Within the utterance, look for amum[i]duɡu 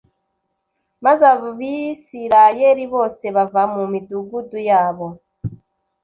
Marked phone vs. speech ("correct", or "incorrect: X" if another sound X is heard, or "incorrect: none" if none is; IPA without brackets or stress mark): correct